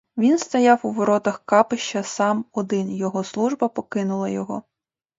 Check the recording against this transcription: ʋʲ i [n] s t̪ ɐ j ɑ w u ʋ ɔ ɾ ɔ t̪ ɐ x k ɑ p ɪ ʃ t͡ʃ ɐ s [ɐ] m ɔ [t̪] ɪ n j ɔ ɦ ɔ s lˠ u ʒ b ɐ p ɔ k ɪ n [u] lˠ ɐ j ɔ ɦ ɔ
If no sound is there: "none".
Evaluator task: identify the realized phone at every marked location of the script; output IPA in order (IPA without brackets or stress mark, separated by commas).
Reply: n, ɑ, d̪, ʊ